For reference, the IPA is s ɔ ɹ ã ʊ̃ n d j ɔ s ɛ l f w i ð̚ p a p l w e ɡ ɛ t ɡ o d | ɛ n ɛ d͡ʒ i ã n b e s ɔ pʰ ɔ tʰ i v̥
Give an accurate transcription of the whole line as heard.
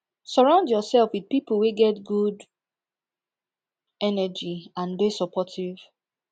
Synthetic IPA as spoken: s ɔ ɹ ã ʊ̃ n d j ɔ s ɛ l f w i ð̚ p i p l w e ɡ ɛ t ɡ u d | ɛ n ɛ d͡ʒ i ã n b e s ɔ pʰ ɔ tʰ i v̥